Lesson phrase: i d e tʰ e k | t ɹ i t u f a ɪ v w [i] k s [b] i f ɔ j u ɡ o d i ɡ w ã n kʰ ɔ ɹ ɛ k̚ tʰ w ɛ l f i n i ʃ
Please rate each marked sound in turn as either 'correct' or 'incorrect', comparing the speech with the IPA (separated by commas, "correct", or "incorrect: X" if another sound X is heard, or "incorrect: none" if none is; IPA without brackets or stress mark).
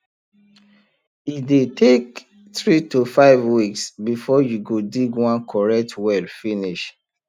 correct, correct